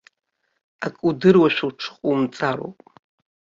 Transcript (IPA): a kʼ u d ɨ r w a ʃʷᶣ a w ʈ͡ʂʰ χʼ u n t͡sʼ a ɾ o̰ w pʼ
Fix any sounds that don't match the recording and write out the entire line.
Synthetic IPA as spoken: a kʼ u d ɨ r w a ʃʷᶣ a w ʈ͡ʂʰ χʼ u m t͡sʼ a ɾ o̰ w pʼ